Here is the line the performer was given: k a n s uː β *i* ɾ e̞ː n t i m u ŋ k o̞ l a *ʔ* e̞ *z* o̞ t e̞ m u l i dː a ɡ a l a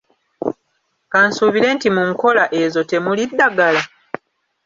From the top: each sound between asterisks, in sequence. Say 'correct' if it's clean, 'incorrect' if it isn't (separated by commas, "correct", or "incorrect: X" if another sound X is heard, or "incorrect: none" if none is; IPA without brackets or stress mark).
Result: correct, correct, correct